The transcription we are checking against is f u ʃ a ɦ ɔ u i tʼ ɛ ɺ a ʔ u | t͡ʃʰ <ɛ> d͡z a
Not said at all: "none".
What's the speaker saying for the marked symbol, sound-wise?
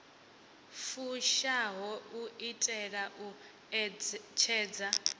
ɛː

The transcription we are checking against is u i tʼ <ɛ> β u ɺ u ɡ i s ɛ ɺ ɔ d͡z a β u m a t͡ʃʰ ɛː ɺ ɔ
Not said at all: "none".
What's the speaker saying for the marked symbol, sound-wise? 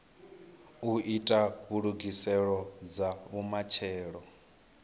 a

